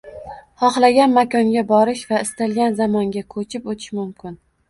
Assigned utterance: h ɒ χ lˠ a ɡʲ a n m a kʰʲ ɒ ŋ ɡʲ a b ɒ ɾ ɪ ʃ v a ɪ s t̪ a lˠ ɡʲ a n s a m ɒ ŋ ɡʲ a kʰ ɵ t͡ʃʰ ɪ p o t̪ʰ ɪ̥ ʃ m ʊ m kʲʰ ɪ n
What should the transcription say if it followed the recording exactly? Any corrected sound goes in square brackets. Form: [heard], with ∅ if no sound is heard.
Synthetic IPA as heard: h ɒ χ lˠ a ɡʲ a n m a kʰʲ ɒ ŋ ɡʲ a b ɒ ɾ ɪ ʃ v a ɪ s t̪ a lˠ ɡʲ a n [z] a m ɒ ŋ ɡʲ a kʰ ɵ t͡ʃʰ ɪ p o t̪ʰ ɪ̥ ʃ m ʊ m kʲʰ ɪ n